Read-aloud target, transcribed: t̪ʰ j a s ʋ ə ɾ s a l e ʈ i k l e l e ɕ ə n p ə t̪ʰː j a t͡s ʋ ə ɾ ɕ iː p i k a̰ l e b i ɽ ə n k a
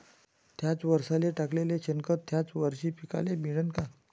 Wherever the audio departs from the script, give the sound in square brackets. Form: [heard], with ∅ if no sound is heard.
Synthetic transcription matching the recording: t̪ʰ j a [t͡s] ʋ ə ɾ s a l e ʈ [a] k l e l e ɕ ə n [k] ə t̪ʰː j a t͡s ʋ ə ɾ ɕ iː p i k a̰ l e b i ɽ ə n k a

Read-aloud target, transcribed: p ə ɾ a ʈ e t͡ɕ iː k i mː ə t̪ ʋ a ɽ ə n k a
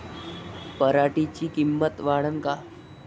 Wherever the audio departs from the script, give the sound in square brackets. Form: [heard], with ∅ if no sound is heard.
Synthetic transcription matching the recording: p ə ɾ a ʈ [i] t͡ɕ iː k i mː ə t̪ ʋ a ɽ ə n k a

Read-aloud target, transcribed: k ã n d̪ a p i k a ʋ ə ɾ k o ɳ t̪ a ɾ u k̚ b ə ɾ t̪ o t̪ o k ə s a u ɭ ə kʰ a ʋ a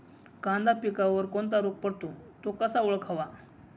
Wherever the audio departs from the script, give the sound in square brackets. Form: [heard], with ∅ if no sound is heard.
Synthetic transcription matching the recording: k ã n d̪ a p i k a ʋ ə ɾ k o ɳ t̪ a ɾ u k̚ [p] ə [ɽ] t̪ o t̪ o k ə s a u ɭ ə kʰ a ʋ a

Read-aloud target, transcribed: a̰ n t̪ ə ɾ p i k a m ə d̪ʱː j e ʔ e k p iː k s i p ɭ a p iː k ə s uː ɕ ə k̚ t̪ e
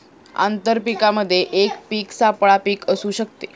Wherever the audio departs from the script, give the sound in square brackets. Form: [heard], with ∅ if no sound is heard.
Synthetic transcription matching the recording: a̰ n t̪ ə ɾ p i k a m ə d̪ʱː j e ʔ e k p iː k s [a] p ɭ a p iː k ə s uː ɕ ə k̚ t̪ e

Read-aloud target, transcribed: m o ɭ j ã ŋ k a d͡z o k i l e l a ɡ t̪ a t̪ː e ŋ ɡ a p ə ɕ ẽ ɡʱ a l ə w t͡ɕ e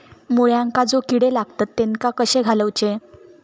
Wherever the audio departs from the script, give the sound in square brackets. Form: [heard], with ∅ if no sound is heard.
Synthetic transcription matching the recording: m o ɭ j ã ŋ k a d͡z o k i [ɽ] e l a ɡ t̪ a t̪ː e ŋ [k] a [k] ə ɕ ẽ ɡʱ a l ə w t͡ɕ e

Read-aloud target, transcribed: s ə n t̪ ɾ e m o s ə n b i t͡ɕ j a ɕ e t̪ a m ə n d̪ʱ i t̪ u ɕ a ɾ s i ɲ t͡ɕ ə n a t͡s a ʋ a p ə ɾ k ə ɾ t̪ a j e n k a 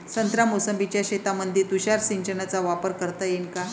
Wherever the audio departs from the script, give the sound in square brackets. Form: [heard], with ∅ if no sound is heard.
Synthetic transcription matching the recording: s ə n t̪ ɾ [a] m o s ə [m] b i t͡ɕ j a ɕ e t̪ a m ə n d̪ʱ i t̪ u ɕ a ɾ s i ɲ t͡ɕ ə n a t͡s a ʋ a p ə ɾ k ə ɾ t̪ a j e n k a

